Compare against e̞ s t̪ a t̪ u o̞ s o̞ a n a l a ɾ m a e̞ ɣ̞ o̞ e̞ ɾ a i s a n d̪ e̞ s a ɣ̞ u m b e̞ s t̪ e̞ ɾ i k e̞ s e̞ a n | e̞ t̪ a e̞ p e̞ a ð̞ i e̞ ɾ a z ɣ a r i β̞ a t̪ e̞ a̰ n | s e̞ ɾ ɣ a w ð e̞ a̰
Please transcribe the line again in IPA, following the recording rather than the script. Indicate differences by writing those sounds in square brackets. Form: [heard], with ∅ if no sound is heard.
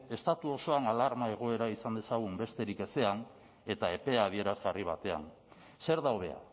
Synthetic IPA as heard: e̞ s t̪ a t̪ u o̞ s o̞ a n a l a ɾ m a e̞ ɣ̞ o̞ e̞ ɾ a i s a n d̪ e̞ s a ɣ̞ u m b e̞ s t̪ e̞ ɾ i k e̞ s e̞ a n | e̞ t̪ a e̞ p e̞ a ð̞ i e̞ ɾ a z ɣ a r i β̞ a t̪ e̞ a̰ n | s e̞ ɾ [ð] a w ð e̞ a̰